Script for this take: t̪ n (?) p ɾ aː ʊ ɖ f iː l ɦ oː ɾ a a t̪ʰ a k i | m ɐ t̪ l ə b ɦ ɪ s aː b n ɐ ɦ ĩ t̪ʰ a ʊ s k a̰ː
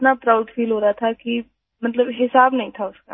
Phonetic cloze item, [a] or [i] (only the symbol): a